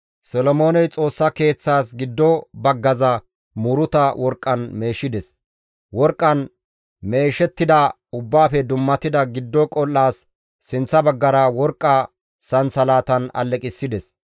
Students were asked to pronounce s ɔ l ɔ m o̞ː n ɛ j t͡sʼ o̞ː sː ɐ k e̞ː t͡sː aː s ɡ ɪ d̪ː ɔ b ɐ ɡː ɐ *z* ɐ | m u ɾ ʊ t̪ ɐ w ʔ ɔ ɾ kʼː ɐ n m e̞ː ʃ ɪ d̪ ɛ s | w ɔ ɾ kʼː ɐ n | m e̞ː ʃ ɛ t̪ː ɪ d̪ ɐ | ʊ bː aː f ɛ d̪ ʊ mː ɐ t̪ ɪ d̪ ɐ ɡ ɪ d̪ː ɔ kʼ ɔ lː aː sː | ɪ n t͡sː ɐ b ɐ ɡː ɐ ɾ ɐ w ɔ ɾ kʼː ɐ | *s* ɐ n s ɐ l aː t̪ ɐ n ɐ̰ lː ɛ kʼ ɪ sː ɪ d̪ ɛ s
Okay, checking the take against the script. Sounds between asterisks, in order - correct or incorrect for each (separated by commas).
correct, correct